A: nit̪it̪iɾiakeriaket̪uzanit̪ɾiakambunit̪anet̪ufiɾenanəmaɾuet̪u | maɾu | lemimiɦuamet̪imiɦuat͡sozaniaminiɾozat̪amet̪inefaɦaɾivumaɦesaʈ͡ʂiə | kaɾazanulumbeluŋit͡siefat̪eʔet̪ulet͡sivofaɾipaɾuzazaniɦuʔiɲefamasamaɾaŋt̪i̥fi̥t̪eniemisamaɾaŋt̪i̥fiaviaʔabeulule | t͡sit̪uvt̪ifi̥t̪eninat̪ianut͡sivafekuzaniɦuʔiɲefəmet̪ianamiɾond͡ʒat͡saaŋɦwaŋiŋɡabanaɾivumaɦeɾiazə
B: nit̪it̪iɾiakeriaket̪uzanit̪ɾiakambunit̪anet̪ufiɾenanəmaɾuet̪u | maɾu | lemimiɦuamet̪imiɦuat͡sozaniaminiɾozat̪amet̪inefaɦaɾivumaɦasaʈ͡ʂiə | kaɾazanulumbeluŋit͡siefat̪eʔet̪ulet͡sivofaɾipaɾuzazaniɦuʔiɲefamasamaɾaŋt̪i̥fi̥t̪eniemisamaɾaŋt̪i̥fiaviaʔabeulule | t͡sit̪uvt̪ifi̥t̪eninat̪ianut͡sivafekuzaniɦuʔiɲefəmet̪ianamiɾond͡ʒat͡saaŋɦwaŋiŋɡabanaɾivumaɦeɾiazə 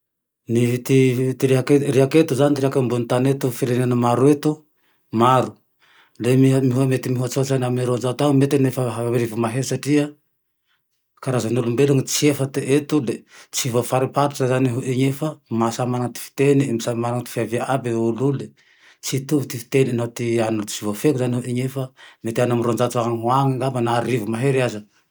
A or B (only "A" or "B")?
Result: A